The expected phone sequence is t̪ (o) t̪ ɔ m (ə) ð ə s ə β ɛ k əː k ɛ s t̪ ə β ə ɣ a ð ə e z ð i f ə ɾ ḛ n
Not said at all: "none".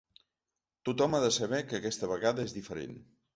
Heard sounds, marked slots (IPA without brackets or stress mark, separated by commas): u, a